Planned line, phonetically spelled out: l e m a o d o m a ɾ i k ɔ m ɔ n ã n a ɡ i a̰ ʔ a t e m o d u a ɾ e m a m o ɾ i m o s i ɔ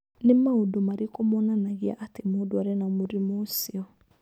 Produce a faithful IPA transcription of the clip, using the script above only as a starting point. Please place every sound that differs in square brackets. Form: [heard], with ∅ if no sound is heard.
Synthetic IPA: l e m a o d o m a ɾ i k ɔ m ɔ n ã n a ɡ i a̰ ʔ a t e m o d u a ɾ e [n] a m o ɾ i m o s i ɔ